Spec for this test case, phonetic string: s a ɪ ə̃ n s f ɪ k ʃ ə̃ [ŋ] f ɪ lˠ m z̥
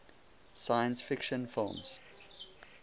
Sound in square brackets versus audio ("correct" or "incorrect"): incorrect